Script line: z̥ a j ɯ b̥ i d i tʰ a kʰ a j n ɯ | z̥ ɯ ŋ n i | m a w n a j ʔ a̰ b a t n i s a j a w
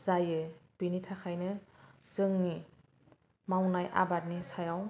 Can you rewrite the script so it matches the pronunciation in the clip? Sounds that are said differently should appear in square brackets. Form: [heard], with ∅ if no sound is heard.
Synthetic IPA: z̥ a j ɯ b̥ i [n] i tʰ a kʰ a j n ɯ | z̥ ɯ ŋ n i | m a w n a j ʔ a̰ b a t n i s a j a w